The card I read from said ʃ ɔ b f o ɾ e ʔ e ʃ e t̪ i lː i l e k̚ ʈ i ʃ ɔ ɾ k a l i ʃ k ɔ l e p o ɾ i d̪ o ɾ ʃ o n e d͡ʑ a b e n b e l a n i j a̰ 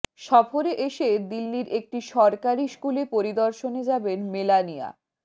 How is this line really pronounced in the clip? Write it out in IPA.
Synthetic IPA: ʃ ɔ f o ɾ e ʔ e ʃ e d̪ i lː i ɾ e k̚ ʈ i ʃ ɔ ɾ k a ɾ i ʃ k u l e p o ɾ i d̪ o ɾ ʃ o n e d͡ʑ a b e n m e l a n i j a̰